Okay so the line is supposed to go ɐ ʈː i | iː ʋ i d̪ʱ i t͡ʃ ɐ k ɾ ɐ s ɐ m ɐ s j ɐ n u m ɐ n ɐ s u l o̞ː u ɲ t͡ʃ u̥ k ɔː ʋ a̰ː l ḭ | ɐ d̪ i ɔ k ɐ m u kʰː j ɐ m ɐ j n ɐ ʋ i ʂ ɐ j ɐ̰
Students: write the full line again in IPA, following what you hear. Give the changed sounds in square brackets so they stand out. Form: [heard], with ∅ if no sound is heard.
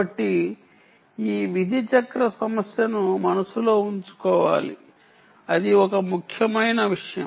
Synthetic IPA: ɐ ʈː i | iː ʋ i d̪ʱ i t͡ʃ ɐ k ɾ ɐ s ɐ m ɐ s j ɐ n u m ɐ n ɐ s u l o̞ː u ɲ t͡ʃ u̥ k ɔː ʋ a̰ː l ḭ | ɐ d̪ i ɔ k ɐ m u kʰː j ɐ m ɐ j n ɐ ʋ i ʂ ɐ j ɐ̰

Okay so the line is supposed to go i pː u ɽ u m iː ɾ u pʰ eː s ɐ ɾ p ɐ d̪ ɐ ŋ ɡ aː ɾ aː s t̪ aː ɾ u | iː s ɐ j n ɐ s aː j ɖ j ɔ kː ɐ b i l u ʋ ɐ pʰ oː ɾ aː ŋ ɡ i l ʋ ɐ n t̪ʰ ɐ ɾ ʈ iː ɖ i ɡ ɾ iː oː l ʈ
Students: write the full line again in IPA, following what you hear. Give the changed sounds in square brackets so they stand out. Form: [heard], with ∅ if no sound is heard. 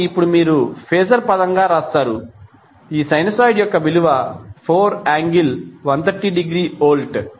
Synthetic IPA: i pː u ɽ u m iː ɾ u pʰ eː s ɐ ɾ p ɐ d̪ ɐ ŋ ɡ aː ɾ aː s t̪ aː ɾ u | iː s ɐ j n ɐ s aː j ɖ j ɔ kː ɐ b i l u ʋ ɐ pʰ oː ɾ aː ŋ ɡ i l ʋ ɐ n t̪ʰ ɐ ɾ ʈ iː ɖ i ɡ ɾ iː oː l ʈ

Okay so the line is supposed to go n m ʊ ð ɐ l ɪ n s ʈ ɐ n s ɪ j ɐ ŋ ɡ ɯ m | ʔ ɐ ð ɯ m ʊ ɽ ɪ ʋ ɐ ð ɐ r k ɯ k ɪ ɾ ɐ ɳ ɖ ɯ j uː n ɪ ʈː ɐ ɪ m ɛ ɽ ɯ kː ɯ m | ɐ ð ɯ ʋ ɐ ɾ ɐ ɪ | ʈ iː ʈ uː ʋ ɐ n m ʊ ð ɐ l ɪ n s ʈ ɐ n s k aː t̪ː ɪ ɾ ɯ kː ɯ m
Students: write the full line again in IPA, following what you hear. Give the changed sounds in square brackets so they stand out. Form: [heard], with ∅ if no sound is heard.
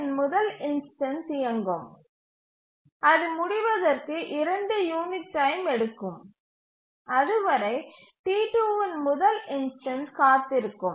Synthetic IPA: n m ʊ ð ɐ l ɪ n s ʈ ɐ n s ɪ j ɐ ŋ ɡ ɯ m | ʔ ɐ ð ɯ m ʊ ɽ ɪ ʋ ɐ ð ɐ r k ɯ [ʔ] ɪ ɾ ɐ ɳ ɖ ɯ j uː n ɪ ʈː ɐ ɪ m ɛ ɽ ɯ kː ɯ m | ɐ ð ɯ ʋ ɐ ɾ ɐ ɪ | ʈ iː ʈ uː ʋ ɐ n m ʊ ð ɐ l ɪ n s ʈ ɐ n s k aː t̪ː ɪ ɾ ɯ kː ɯ m

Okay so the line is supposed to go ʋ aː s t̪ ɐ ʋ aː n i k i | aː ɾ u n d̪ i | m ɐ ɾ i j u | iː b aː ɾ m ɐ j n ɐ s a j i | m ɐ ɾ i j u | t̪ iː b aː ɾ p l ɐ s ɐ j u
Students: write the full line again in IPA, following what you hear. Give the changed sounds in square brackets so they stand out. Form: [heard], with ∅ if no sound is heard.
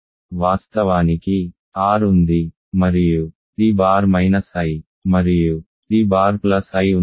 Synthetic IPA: ʋ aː s t̪ ɐ ʋ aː n i k i | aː ɾ u n d̪ i | m ɐ ɾ i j u | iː b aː ɾ m ɐ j n ɐ s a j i | m ɐ ɾ i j u | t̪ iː b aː ɾ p l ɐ s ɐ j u

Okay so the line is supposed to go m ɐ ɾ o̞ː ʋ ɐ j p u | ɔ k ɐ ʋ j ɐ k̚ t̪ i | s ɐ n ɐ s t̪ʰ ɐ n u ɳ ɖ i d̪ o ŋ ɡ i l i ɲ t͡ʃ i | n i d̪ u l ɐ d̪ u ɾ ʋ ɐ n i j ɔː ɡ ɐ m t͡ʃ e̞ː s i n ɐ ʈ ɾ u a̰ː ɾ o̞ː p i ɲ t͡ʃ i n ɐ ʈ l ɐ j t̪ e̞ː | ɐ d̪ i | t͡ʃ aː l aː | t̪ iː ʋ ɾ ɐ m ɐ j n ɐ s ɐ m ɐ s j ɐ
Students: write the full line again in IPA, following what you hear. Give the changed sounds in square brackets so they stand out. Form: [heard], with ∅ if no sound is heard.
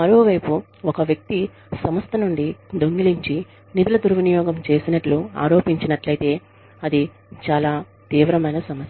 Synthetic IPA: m ɐ ɾ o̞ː ʋ ɐ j p u | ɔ k ɐ ʋ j ɐ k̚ t̪ i | s ɐ [m] ɐ s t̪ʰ ɐ n u ɳ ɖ i d̪ o ŋ ɡ i l i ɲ t͡ʃ i | n i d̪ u l ɐ d̪ u ɾ ʋ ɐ n i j ɔː ɡ ɐ m t͡ʃ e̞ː s i n ɐ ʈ [l] u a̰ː ɾ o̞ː p i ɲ t͡ʃ i n ɐ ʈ l ɐ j t̪ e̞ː | ɐ d̪ i | t͡ʃ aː l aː | t̪ iː ʋ ɾ ɐ m ɐ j n ɐ s ɐ m ɐ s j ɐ

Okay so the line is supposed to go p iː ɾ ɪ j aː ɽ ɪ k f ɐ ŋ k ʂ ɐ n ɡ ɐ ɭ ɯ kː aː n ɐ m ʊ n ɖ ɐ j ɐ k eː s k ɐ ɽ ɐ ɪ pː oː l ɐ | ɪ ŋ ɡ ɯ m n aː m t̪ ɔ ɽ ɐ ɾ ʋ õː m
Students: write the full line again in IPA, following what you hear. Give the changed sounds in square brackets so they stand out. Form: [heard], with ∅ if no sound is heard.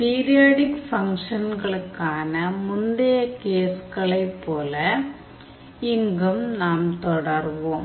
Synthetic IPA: p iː ɾ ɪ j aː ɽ ɪ k f ɐ ŋ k ʂ ɐ n ɡ ɐ ɭ ɯ kː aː n ɐ m ʊ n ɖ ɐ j ɐ k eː s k ɐ [ɭ] ɐ ɪ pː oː l ɐ | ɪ ŋ ɡ ɯ m n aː m t̪ ɔ ɽ ɐ ɾ ʋ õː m

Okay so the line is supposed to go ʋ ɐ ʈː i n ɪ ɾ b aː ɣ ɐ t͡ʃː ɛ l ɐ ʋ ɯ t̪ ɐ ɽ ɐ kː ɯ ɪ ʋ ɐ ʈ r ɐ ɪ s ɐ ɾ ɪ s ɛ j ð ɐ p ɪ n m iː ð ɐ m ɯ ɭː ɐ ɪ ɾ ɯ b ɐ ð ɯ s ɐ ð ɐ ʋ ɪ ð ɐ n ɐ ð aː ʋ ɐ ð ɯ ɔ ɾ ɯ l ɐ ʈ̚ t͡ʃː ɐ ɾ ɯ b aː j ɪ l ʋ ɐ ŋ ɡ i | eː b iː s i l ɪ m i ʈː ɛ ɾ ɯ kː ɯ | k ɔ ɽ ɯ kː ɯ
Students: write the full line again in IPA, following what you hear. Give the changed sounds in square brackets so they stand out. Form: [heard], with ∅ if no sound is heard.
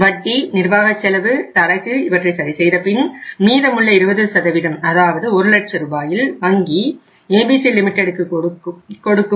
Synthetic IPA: ʋ ɐ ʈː i n ɪ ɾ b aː ɣ ɐ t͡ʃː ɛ l ɐ ʋ ɯ t̪ ɐ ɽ ɐ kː ɯ ɪ ʋ ɐ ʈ r ɐ ɪ s ɐ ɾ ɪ s ɛ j ð ɐ p ɪ n m iː ð ɐ m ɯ ɭː ɐ ɪ ɾ ɯ b ɐ ð ɯ s ɐ ð ɐ ʋ ɪ ð ɐ [m] ɐ ð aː ʋ ɐ ð ɯ ɔ ɾ ɯ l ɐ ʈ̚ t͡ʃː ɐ ɾ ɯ b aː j ɪ l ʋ ɐ ŋ ɡ i | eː b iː s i l ɪ m [ɪ] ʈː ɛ [ɽ] ɯ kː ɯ | k ɔ ɽ ɯ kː ɯ

